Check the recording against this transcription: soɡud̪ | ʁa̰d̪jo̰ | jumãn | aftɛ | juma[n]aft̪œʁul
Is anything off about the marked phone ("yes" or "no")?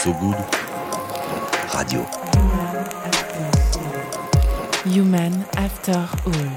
no